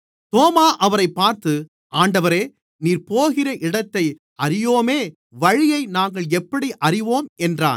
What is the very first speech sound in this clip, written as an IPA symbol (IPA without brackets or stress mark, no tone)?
t̪